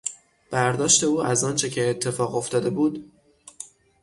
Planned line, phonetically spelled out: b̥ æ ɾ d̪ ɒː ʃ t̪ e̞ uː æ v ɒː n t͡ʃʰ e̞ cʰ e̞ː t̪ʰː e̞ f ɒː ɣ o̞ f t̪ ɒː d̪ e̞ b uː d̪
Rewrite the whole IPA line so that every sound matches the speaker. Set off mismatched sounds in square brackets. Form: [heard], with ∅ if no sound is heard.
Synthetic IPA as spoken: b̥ æ ɾ d̪ ɒː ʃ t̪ e̞ uː æ [z] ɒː n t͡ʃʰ e̞ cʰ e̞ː t̪ʰː e̞ f ɒː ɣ o̞ f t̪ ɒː d̪ e̞ b uː d̪